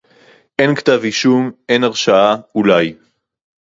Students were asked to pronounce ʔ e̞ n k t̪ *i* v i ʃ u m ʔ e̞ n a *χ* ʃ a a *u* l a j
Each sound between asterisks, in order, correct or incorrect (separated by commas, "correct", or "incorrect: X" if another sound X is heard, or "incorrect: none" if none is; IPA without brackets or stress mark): incorrect: a, incorrect: ʁ, correct